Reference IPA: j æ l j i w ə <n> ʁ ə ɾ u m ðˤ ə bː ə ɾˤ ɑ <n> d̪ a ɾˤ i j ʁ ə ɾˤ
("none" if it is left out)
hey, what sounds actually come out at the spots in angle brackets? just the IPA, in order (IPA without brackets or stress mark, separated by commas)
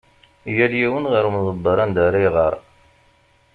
n, n